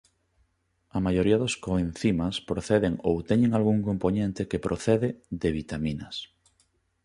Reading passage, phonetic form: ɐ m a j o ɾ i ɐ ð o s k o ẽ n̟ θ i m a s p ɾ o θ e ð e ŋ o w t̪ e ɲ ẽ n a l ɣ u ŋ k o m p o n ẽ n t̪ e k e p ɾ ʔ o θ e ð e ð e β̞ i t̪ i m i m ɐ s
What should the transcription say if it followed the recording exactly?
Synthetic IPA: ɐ m a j o ɾ i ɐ ð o s k o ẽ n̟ θ i m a s p ɾ o θ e ð e ŋ o w t̪ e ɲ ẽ ŋ a l ɣ u ŋ k o m p o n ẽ n t̪ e k e p ɾ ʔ o θ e ð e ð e β̞ i t̪ a m i n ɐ s

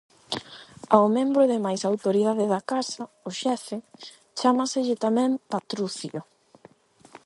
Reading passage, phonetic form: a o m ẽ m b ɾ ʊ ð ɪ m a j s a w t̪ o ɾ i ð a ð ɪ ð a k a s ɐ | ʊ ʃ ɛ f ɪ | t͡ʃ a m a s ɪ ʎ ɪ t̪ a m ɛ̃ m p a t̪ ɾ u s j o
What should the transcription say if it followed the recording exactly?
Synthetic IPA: a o m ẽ m b ɾ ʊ ð ɪ m a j s a w t̪ o ɾ i ð a ð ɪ ð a k a s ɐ | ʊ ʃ ɛ f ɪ | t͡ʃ a m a s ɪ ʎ ɪ t̪ a m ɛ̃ m p a t̪ ɾ u θ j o

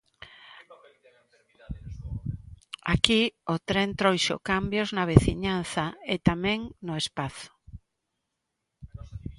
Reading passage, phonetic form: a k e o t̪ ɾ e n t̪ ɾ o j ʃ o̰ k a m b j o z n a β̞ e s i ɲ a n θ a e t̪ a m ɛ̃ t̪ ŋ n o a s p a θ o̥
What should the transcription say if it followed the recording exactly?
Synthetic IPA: a k i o t̪ ɾ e n t̪ ɾ o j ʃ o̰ k a m b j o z n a β̞ e θ i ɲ a n θ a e t̪ a m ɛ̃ ŋ n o e s p a θ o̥

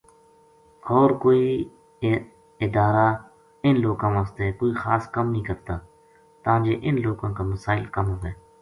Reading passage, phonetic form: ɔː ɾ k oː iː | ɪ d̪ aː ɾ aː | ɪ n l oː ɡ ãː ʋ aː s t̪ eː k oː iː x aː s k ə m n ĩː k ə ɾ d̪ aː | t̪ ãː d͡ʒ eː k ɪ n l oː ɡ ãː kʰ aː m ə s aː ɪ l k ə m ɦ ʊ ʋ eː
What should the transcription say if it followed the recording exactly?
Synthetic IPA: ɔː ɾ k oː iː | ɪ d̪ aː ɾ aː | ɪ n l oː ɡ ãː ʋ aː s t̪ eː k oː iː x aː s k ə m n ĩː k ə ɾ t̪ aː | t̪ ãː d͡ʒ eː ʔ ɪ n l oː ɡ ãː k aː m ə s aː ɪ l k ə m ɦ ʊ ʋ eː

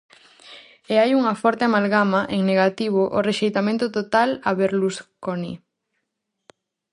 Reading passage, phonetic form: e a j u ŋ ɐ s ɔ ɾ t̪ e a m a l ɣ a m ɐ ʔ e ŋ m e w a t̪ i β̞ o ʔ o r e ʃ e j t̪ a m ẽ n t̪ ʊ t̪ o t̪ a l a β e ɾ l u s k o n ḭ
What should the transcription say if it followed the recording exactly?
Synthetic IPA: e a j u ŋ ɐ f ɔ ɾ t̪ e a m a l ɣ a m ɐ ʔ e ŋ n e ɣ a t̪ i β̞ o ʔ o r e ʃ e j t̪ a m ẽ n t̪ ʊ t̪ o t̪ a l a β e ɾ l u s k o n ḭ

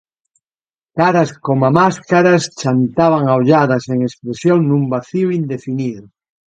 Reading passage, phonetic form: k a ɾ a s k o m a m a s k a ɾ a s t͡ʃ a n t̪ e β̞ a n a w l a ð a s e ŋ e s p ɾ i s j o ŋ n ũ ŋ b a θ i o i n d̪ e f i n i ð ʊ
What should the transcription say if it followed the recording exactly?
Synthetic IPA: k a ɾ a s k o m a m a s k a ɾ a s t͡ʃ a n t̪ a β̞ a ŋ a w ʎ a ð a s e ŋ e s p ɾ e s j o ŋ n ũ m b a θ i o i n d̪ e f i n i ð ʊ

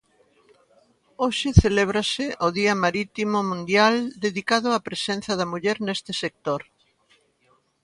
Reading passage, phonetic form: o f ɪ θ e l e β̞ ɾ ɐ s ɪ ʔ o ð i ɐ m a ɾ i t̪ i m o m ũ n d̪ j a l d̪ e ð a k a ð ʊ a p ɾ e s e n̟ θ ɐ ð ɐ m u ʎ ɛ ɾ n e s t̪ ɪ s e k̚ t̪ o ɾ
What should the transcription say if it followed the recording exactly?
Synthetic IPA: o ʃ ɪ θ e l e β̞ ɾ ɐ s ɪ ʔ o ð i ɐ m a ɾ i t̪ i m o m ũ n d̪ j a l d̪ e ð i k a ð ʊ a p ɾ e s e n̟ θ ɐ ð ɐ m u ʎ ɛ ɾ n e s t̪ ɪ s e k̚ t̪ o ɾ

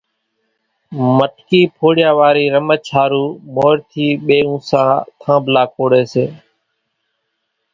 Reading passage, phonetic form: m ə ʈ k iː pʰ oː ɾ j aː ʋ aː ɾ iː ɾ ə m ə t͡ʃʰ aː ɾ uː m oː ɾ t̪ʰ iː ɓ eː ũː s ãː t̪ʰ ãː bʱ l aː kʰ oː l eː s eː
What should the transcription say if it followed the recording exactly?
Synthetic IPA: m ə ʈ k iː pʰ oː ɽ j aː ʋ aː ɾ iː ɾ ə m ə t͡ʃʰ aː ɾ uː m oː ɾ t̪ʰ iː ɓ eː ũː s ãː t̪ʰ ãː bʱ l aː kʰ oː ɽ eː s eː

